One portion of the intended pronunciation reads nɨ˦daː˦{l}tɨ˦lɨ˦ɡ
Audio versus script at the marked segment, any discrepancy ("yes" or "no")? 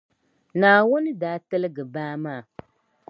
yes